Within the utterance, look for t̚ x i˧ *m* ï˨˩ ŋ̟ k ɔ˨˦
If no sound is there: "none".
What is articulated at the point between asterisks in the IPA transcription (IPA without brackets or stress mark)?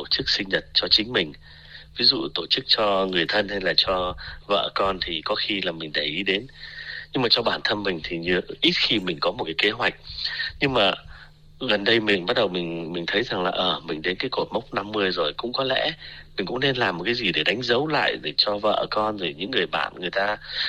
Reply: m